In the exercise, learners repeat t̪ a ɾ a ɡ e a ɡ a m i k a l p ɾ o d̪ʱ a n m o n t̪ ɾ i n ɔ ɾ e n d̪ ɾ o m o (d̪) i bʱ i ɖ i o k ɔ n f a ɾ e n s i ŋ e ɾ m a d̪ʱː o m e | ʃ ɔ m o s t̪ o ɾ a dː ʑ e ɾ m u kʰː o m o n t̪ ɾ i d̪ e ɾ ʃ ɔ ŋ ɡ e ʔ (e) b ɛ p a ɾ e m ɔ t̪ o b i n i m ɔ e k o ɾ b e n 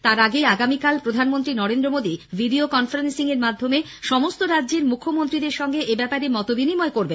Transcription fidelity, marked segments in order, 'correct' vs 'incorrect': correct, correct

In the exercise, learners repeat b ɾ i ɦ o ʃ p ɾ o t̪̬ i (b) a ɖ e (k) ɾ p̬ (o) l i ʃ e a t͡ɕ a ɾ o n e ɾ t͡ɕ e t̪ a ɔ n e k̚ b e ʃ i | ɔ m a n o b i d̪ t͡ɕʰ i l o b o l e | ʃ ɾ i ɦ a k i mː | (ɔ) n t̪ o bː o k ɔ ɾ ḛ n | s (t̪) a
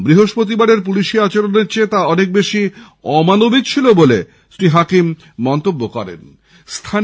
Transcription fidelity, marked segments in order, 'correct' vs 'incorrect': correct, incorrect: none, incorrect: u, correct, incorrect: t̪ʰ

